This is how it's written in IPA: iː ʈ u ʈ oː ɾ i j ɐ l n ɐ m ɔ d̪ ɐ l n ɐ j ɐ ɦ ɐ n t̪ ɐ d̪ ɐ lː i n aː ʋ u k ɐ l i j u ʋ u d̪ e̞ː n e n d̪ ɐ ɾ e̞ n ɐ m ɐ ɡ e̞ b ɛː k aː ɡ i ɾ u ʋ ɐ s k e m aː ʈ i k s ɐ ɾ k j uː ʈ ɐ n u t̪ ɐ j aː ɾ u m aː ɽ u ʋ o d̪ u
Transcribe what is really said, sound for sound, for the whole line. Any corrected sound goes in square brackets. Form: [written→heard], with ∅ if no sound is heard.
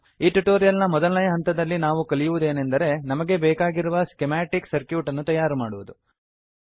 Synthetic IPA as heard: iː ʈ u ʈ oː ɾ i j ɐ l n ɐ m ɔ d̪ ɐ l n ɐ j ɐ ɦ ɐ n t̪ ɐ d̪ ɐ lː i n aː ʋ u k ɐ l i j u ʋ u d̪ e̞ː n e n d̪ ɐ ɾ e̞ n ɐ m ɐ ɡ e̞ b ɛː k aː ɡ i ɾ u ʋ ɐ s k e m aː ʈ i k s ɐ ɾ k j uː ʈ ɐ [n→nː] u t̪ ɐ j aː ɾ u m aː ɽ u ʋ [o→u] d̪ u